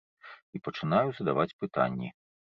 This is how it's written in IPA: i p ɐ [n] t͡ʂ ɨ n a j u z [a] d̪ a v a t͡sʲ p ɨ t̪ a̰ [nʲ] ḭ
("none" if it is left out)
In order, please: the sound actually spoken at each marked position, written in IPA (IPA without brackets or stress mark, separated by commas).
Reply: none, ɐ, nʲː